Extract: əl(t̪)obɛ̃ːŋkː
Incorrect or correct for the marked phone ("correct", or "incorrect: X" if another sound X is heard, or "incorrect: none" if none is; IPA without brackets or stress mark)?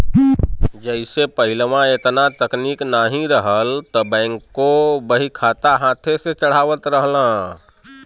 correct